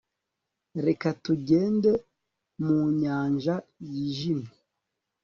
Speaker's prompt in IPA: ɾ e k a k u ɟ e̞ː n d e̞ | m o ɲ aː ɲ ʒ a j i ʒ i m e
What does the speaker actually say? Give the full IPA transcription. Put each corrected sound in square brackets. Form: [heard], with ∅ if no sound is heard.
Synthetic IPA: ɾ e k a [t] u ɟ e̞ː n d e̞ | m [u] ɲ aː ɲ ʒ a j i ʒ i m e